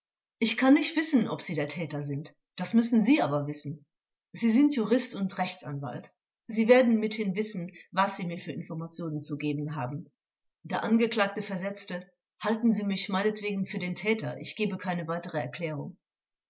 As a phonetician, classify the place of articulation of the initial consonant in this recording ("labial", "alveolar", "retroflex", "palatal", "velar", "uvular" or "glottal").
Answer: glottal